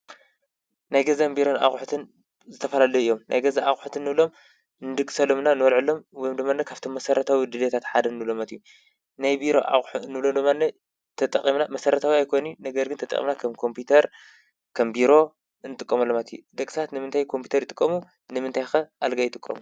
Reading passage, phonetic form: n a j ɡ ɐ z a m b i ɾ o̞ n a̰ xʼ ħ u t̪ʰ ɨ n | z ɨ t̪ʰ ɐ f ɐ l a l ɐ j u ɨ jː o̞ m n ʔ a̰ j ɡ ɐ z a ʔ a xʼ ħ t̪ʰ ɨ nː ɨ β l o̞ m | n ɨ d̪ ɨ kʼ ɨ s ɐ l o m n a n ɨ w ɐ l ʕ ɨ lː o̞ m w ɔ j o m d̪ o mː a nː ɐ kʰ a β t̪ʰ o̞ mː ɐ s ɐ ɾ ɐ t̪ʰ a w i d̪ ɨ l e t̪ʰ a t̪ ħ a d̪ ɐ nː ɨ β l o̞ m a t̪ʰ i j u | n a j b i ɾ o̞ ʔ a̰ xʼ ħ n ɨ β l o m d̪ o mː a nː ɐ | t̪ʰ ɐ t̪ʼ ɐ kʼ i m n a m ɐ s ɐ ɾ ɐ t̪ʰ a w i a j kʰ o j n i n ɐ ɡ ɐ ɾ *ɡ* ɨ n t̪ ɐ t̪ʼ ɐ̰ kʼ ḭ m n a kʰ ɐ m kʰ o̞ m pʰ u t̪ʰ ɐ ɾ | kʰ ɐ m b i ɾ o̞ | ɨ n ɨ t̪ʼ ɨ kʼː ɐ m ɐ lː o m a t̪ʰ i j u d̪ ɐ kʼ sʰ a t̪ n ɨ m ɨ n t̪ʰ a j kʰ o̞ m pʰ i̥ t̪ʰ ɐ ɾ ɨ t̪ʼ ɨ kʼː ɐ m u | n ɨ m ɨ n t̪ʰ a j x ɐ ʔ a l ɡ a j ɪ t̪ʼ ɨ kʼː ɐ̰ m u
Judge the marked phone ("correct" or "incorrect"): correct